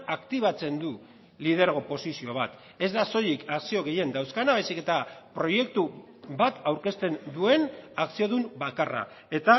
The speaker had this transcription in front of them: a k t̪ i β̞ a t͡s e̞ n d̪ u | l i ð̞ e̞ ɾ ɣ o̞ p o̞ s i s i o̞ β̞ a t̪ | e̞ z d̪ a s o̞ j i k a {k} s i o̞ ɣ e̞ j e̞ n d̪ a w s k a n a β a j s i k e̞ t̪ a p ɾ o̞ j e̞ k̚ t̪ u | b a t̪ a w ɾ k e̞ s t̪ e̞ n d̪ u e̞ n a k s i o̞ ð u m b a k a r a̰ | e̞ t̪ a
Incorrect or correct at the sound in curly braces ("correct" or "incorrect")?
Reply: correct